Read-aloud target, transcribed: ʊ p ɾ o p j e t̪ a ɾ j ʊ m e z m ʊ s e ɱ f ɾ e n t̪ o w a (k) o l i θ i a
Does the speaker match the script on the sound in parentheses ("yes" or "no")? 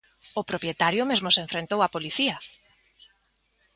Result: no